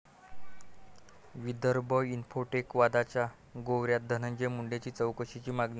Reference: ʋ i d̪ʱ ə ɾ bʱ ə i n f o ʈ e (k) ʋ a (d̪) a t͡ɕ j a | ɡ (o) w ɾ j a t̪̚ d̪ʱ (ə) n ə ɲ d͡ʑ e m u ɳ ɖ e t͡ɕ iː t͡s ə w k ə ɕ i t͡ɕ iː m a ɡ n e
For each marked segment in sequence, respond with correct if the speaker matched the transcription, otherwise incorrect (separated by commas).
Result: correct, correct, correct, correct